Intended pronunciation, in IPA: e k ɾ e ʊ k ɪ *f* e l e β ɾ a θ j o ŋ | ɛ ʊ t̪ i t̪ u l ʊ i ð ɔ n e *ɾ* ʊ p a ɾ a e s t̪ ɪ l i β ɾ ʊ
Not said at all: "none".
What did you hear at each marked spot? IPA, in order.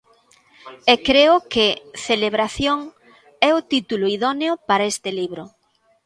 θ, none

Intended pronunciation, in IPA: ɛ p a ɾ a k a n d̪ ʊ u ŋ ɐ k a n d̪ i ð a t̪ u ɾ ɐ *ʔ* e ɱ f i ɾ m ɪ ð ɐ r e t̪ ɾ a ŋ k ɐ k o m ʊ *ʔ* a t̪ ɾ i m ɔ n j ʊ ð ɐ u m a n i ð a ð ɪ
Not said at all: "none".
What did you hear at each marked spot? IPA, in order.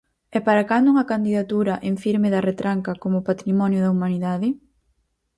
ʔ, p

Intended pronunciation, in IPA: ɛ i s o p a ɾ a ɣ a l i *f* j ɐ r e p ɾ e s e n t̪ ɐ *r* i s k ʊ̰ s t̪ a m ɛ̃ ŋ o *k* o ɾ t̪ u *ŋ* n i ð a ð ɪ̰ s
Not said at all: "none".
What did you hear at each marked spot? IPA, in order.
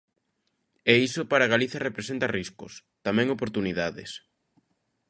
θ, r, p, none

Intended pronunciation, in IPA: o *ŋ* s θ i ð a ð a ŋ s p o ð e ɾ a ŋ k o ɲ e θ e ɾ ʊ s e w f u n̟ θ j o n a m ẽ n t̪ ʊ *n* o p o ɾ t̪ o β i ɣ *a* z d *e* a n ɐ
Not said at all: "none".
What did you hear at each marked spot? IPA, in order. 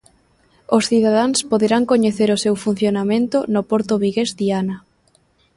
none, n, e, i

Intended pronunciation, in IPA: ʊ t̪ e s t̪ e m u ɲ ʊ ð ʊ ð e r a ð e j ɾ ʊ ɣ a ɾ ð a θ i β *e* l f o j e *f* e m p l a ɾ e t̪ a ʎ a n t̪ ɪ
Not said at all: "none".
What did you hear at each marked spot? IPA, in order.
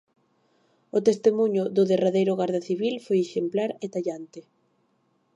i, ʃ

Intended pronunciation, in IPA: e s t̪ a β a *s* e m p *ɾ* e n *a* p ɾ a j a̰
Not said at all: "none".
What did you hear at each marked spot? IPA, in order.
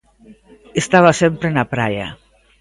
s, ɾ, a

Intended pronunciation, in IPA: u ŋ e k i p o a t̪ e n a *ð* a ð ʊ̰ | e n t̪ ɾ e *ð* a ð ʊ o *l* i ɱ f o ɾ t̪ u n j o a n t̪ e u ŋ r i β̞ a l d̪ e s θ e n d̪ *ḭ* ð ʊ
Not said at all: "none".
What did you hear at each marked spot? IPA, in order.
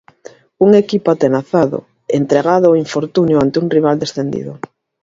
θ, ɣ, none, ḭ

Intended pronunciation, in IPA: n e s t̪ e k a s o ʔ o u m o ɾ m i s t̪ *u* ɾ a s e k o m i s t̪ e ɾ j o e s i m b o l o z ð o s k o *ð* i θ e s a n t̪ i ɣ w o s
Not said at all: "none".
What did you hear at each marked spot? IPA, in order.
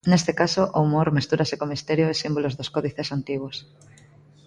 u, ð

